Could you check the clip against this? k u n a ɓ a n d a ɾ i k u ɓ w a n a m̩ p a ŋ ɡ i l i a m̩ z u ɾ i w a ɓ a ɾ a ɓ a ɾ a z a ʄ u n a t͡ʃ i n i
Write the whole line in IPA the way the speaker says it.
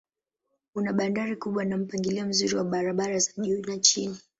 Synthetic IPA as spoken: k u n a ɓ a n d a ɾ i k u ɓ w a n a m̩ p a ŋ ɡ i l i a m̩ z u ɾ i w a ɓ a ɾ a ɓ a ɾ a z a ʄ u n a t͡ʃ i n i